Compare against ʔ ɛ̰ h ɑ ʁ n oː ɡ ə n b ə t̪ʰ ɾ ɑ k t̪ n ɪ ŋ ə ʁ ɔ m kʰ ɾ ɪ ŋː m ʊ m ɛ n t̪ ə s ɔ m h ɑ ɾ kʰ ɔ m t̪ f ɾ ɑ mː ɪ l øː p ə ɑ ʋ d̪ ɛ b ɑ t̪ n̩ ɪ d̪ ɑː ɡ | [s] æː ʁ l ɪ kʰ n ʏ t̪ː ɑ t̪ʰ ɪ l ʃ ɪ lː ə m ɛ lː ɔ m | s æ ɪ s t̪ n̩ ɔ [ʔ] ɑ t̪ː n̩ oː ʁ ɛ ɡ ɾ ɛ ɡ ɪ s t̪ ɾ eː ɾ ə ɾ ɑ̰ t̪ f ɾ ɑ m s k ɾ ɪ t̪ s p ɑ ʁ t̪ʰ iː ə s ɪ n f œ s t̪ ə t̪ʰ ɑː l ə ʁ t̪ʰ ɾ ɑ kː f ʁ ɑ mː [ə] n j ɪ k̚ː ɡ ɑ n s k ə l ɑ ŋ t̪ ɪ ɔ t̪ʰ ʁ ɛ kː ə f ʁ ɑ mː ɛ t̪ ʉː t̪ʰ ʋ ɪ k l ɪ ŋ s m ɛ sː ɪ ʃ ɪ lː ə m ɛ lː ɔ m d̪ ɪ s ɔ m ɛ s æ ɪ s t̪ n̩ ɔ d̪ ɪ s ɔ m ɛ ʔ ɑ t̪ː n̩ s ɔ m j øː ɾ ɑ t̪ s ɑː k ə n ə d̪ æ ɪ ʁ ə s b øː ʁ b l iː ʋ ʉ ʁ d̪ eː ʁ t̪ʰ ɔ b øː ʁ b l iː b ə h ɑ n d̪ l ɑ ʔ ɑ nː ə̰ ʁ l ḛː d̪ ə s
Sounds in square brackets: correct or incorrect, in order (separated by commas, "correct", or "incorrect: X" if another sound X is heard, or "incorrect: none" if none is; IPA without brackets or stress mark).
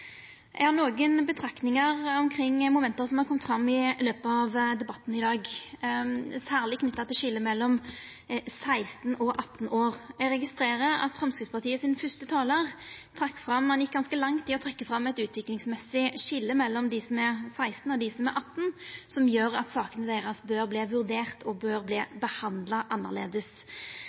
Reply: correct, correct, incorrect: ɑ